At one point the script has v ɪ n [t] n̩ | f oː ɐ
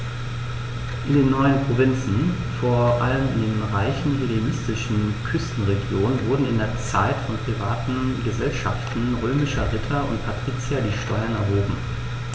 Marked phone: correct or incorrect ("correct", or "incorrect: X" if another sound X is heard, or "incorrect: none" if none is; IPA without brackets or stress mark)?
incorrect: t͡s